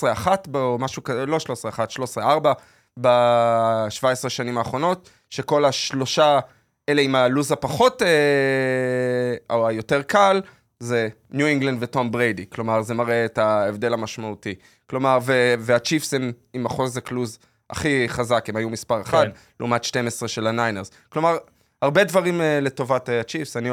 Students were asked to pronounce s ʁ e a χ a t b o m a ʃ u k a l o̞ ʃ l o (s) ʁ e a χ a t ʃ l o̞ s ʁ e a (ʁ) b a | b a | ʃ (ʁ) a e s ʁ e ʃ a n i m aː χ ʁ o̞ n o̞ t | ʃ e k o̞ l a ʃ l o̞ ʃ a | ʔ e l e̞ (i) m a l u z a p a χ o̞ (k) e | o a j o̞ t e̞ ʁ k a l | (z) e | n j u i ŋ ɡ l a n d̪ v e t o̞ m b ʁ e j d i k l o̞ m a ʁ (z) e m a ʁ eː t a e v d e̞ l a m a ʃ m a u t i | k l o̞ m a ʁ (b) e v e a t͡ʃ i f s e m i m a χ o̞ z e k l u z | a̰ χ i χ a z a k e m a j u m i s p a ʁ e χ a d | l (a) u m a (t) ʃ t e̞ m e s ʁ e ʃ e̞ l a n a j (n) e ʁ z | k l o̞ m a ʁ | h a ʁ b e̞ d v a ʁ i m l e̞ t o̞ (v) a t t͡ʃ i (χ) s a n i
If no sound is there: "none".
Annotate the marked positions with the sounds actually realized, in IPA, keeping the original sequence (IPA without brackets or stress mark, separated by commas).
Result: s, ʁ, v, i, t, z, z, v, e, t, n, v, f